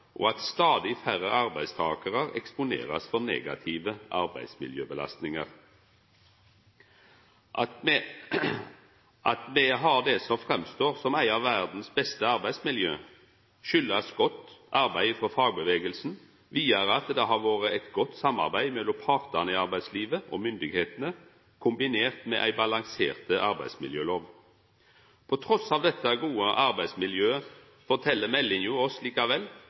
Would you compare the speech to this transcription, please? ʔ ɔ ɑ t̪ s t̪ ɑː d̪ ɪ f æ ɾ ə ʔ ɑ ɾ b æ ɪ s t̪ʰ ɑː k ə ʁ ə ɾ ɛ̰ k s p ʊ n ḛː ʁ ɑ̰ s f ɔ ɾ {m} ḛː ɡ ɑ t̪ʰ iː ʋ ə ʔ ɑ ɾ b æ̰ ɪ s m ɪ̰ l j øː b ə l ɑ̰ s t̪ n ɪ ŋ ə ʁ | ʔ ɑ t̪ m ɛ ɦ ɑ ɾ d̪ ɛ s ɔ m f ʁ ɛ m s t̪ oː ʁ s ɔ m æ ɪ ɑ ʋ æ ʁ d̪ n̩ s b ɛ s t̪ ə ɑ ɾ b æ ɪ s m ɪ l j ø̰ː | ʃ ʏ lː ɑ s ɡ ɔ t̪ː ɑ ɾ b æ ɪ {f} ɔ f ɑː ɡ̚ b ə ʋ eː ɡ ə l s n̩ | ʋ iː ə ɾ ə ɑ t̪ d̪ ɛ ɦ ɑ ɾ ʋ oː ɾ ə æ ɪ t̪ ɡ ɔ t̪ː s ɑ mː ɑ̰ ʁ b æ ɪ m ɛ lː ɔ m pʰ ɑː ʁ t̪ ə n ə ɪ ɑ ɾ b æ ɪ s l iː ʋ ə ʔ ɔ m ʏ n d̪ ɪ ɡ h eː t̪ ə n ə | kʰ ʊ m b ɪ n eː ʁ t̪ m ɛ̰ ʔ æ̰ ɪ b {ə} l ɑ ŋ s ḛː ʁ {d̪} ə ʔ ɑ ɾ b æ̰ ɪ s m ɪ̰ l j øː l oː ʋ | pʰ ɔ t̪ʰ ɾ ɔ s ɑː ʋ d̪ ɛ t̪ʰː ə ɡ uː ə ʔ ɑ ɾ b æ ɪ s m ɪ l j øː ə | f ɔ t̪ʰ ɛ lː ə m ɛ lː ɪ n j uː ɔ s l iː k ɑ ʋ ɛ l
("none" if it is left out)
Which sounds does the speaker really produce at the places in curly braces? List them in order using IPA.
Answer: n, f, ɑ, t̪

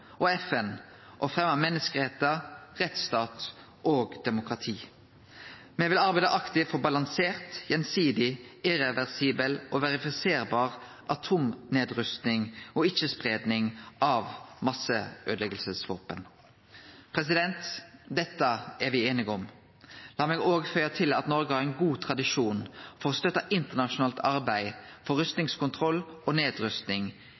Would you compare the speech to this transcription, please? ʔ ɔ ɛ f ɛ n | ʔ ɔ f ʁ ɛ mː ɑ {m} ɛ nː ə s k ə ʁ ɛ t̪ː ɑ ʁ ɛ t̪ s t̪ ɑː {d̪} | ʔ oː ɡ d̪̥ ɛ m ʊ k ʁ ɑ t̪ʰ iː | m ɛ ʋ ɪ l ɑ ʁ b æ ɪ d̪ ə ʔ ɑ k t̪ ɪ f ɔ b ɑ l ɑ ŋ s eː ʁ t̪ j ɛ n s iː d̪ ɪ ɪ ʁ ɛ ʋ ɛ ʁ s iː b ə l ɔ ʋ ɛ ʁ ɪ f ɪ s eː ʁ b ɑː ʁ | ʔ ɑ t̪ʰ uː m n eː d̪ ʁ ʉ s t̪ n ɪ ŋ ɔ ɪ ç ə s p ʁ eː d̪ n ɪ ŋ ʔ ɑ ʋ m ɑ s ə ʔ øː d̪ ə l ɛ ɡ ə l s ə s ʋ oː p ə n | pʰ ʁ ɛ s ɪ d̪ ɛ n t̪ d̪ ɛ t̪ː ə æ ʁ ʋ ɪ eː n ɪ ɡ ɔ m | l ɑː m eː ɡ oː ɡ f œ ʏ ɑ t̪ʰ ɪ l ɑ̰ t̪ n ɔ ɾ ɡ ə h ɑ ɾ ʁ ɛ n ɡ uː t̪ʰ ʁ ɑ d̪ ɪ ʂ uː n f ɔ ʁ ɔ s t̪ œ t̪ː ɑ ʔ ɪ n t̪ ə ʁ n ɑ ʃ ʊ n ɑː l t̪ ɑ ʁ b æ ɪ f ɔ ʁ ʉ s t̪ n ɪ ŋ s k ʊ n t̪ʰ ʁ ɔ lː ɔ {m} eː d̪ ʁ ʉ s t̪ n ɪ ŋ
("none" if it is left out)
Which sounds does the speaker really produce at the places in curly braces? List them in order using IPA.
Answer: m, t̪, n

